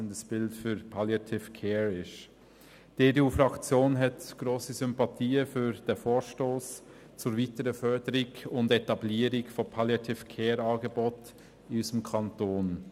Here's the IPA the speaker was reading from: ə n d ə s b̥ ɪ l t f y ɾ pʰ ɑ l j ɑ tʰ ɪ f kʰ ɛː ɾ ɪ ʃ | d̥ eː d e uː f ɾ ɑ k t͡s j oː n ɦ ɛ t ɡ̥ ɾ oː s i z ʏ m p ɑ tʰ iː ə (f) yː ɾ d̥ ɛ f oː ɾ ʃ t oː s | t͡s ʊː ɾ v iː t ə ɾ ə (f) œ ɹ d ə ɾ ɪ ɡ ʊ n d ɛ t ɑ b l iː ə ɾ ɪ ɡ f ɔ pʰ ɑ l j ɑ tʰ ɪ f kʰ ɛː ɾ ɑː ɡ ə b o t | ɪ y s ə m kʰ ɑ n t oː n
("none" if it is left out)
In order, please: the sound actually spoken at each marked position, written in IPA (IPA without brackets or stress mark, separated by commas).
f, f